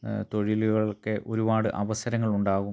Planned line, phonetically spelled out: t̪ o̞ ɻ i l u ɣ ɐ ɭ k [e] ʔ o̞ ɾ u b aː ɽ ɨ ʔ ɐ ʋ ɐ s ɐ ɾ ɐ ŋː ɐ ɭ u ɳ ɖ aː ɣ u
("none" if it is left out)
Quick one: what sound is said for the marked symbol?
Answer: e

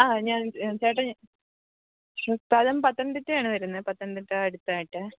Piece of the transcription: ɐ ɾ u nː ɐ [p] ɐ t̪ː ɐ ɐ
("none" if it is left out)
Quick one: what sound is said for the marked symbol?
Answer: p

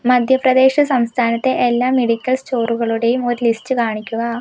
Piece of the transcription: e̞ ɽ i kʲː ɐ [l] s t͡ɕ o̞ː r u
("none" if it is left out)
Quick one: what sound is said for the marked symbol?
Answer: l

